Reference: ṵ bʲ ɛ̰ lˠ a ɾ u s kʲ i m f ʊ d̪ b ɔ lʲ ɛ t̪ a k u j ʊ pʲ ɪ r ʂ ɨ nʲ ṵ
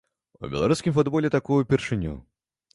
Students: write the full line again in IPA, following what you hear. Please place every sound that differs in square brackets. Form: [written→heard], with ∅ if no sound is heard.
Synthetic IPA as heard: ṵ bʲ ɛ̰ lˠ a ɾ u s kʲ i m f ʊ d̪ b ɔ lʲ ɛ t̪ a k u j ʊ pʲ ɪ r ʂ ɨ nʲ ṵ